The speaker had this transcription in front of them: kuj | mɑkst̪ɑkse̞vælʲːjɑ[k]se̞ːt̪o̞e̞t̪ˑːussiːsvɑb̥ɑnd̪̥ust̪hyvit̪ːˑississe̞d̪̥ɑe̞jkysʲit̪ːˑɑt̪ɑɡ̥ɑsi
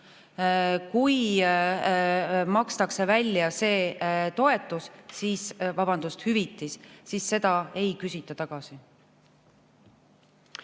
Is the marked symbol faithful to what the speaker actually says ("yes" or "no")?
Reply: no